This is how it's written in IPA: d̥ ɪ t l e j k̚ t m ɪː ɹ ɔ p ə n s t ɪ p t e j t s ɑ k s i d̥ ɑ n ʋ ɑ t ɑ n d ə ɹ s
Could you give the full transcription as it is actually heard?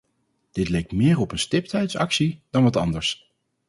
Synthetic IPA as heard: d̥ ɪ t l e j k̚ t m ɪː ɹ ɔ p ə n s t ɪ p t ɛ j t s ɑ k s i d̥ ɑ n ʋ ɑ t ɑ n d ə ɹ s